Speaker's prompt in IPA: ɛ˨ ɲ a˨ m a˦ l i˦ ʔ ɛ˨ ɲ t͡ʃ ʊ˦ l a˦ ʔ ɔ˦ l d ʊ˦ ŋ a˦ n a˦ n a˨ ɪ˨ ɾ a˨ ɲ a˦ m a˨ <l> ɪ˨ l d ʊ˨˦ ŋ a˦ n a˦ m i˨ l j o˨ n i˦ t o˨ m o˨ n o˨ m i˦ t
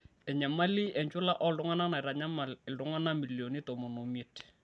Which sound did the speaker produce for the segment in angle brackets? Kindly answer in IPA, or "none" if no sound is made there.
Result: l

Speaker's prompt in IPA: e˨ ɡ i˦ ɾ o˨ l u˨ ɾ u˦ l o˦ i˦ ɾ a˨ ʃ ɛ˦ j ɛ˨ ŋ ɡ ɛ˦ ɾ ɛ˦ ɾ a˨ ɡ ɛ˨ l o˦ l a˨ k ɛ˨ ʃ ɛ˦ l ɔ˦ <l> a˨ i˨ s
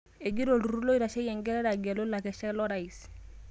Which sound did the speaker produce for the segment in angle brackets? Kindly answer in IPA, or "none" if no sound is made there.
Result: ɾ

